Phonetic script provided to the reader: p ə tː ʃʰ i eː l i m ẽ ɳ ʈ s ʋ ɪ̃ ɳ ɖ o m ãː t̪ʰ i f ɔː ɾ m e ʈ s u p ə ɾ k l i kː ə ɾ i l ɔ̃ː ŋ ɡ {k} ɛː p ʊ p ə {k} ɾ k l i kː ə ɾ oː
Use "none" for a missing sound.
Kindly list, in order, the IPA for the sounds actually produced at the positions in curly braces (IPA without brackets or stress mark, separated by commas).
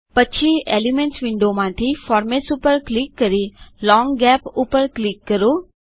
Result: ɡ, none